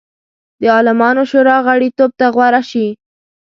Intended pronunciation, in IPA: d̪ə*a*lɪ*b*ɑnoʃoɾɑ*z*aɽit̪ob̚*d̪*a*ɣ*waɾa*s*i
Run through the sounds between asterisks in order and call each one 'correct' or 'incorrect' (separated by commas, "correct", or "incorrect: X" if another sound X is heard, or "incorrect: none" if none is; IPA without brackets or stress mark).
incorrect: ɑ, incorrect: m, incorrect: ɣ, incorrect: t̪, correct, incorrect: ʃ